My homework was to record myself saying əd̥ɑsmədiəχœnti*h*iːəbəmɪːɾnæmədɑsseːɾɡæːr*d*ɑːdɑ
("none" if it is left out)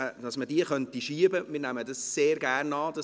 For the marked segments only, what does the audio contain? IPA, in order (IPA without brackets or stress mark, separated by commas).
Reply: ʃ, n